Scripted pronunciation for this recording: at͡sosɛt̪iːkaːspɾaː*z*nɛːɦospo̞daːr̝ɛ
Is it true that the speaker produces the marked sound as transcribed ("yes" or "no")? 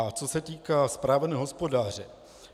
no